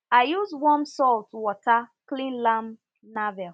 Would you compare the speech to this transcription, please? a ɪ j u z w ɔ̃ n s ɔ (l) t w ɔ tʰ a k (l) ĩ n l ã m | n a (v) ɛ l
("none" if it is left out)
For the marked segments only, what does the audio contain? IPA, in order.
l, l, v

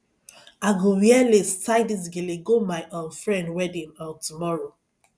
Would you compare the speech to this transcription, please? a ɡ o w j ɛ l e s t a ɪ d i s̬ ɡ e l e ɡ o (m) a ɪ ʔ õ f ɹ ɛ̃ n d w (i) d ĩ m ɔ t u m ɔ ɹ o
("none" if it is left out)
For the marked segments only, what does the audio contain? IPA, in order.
m, ɛ

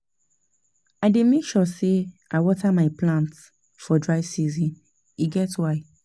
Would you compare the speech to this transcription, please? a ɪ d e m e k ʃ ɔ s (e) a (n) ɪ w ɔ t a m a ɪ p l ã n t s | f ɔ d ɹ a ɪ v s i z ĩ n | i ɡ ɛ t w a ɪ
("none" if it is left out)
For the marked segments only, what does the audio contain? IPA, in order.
e, none

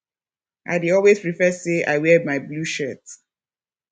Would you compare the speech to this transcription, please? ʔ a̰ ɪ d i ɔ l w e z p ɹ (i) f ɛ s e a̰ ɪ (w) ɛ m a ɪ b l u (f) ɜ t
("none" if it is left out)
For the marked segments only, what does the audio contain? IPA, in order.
i, w, ʃ

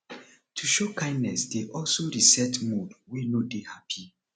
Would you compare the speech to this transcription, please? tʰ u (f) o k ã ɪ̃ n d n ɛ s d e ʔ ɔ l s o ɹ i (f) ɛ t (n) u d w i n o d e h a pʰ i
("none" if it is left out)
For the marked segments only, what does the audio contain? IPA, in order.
ʃ, s, m

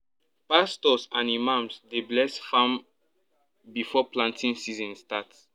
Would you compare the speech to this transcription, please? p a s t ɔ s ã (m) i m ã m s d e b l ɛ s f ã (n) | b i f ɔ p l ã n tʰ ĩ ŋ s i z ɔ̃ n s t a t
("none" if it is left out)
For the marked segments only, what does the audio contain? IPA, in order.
n, m

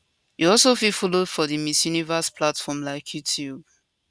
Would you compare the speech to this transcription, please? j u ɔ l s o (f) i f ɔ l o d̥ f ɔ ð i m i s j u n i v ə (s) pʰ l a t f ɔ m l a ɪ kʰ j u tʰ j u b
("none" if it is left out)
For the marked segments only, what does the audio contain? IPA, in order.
f, s

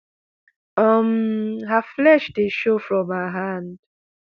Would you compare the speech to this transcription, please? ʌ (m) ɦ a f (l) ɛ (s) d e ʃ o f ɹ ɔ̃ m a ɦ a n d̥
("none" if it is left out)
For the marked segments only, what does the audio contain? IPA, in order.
m, l, ʃ

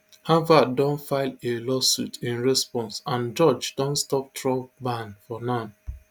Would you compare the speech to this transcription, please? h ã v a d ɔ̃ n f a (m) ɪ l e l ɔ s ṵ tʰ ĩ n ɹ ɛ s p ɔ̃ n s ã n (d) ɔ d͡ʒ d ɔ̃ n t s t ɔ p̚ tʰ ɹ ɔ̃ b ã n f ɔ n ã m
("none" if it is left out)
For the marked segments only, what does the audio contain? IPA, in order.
none, d͡ʒ

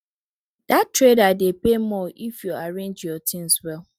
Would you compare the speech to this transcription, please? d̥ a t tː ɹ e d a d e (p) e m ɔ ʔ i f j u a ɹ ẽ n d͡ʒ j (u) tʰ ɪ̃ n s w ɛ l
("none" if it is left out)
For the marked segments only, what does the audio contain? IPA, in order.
p, ɔ

